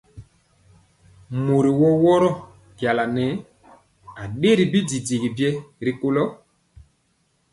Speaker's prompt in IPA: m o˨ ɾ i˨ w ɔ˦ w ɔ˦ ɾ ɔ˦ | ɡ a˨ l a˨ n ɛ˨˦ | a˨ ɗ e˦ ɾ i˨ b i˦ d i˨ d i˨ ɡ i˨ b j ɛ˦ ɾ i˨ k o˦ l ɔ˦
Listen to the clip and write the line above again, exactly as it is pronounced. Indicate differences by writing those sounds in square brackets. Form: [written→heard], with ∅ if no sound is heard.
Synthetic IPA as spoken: m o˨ ɾ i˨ w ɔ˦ w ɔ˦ ɾ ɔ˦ | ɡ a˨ l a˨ n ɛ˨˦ | a˨ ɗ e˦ ɾ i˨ b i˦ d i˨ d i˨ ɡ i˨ b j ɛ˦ ɾ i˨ k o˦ l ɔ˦